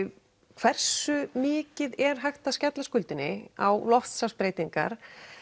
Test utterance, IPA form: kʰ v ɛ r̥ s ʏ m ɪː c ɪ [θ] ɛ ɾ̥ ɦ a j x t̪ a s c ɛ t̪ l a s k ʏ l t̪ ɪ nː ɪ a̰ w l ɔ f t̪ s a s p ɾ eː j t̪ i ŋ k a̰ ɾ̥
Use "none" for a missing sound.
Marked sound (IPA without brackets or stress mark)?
ð